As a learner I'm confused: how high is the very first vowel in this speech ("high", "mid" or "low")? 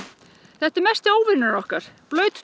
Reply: mid